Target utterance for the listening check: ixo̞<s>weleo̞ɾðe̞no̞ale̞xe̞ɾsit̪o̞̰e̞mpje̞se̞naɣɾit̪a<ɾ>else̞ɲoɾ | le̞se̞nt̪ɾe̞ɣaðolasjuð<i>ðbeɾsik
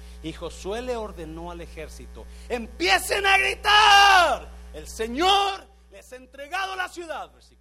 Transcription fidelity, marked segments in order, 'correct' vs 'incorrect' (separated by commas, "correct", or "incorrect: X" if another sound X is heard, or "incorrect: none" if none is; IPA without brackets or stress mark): correct, correct, incorrect: a